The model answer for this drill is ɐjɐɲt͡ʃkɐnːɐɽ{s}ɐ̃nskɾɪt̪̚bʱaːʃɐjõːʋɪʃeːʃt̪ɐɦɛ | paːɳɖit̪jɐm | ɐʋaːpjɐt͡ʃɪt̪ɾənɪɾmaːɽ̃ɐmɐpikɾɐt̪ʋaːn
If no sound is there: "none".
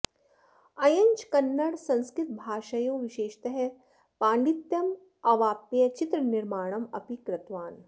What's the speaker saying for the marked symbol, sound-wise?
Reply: s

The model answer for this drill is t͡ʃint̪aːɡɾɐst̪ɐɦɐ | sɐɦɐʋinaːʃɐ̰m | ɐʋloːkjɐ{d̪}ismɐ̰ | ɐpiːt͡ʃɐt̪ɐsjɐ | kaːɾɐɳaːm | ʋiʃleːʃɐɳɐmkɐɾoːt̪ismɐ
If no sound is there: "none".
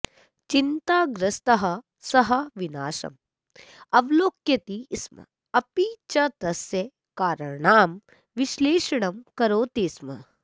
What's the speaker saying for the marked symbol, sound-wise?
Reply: t̪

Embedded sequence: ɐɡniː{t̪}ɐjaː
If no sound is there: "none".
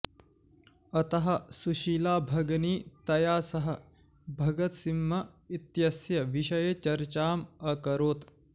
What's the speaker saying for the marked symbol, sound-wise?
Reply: t̪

